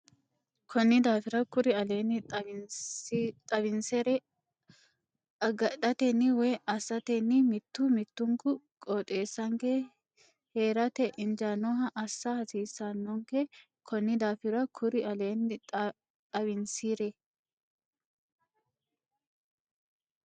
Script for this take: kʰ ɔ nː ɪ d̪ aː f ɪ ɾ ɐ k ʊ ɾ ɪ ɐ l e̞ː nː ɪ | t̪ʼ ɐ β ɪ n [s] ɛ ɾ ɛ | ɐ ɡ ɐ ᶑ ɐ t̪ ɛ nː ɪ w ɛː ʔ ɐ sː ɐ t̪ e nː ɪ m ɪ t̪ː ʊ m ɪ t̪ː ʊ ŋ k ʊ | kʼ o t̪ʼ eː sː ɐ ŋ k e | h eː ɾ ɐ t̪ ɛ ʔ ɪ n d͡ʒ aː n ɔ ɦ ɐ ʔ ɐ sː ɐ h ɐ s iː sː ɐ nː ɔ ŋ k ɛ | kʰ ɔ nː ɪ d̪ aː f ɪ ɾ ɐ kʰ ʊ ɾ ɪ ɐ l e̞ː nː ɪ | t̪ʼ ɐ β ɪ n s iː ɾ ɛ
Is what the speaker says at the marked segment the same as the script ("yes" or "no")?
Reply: yes